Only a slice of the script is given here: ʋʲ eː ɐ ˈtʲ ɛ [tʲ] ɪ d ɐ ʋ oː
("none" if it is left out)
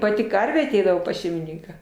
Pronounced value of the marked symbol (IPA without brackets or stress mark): none